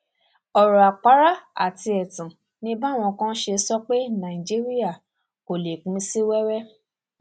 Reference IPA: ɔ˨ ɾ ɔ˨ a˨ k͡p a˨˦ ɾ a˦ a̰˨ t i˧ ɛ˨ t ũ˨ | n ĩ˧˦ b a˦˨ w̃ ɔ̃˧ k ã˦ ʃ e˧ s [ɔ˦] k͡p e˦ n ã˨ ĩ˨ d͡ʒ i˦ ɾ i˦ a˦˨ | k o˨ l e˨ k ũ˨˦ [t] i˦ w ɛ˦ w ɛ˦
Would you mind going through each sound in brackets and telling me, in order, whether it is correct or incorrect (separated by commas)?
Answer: correct, incorrect